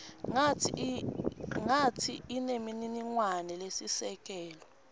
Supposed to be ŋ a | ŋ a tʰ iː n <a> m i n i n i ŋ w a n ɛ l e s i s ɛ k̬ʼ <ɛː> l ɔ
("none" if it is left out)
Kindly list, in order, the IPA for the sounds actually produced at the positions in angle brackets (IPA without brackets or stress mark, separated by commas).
e, ɛː